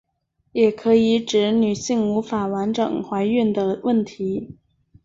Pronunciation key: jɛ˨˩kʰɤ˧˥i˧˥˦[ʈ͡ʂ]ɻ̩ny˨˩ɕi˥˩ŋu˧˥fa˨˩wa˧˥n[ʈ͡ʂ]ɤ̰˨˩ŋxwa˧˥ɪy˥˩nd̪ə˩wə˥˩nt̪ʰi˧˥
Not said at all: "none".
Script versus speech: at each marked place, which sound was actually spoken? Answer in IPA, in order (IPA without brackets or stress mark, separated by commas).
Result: ʈ͡ʂ, ʈ͡ʂ